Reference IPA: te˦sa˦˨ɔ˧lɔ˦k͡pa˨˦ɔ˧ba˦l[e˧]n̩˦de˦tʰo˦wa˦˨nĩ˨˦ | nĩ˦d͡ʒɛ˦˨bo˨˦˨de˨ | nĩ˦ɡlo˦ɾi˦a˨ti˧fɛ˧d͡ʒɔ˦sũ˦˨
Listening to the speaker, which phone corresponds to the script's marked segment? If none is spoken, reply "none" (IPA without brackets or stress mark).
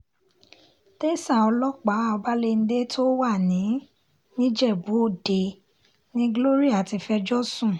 e˧